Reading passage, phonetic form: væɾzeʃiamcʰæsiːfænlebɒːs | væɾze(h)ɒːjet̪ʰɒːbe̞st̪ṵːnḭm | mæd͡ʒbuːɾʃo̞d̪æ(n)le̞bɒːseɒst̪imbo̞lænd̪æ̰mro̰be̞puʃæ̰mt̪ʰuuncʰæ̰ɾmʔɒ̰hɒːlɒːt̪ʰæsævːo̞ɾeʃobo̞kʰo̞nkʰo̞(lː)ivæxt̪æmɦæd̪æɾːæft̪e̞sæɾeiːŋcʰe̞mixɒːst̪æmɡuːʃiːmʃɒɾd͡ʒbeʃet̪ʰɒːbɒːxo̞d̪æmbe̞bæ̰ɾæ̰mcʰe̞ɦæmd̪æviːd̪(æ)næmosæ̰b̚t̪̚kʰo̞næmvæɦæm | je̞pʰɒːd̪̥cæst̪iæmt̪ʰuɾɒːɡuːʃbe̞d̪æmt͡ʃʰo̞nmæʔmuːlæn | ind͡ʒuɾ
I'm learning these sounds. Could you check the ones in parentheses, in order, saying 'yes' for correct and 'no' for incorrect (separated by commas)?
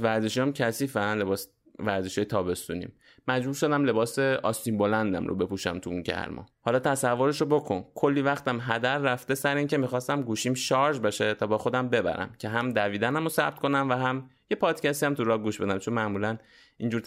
no, no, yes, yes